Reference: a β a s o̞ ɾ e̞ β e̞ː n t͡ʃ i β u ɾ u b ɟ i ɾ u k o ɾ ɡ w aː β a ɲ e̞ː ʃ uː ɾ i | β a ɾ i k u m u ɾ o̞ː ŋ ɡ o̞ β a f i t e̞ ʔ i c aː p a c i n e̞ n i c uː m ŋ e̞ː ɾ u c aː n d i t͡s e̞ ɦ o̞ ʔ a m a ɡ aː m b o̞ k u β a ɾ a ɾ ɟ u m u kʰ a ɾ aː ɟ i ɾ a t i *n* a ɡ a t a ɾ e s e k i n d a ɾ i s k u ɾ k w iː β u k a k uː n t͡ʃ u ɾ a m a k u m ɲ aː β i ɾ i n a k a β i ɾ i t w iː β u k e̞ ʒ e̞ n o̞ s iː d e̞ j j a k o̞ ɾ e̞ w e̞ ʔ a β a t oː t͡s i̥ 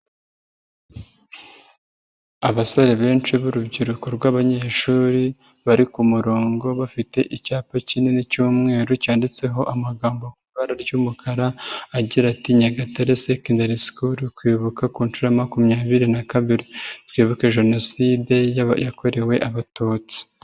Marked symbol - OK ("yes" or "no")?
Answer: no